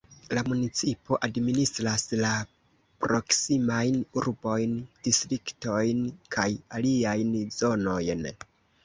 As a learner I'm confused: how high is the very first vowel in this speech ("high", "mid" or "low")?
low